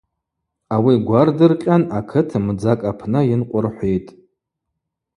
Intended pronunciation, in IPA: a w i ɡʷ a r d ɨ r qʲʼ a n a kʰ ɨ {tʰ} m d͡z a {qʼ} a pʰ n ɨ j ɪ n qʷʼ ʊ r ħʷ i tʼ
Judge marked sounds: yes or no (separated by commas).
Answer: yes, no